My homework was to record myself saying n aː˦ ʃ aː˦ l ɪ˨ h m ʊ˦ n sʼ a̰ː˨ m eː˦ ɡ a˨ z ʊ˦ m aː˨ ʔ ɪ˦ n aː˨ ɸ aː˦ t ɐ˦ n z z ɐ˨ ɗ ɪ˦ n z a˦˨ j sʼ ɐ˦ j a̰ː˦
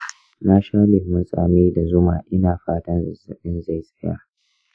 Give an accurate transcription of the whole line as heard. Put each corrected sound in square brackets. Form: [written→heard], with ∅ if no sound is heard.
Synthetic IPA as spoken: n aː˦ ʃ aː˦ l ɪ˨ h m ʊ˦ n sʼ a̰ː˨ m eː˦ [ɡ→d] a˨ z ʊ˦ m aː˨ ʔ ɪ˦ n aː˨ ɸ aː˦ t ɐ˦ n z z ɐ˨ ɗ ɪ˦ n z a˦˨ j sʼ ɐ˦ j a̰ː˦